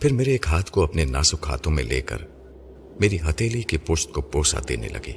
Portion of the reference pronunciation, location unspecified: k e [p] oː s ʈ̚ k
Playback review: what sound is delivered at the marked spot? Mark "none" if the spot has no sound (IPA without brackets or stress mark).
p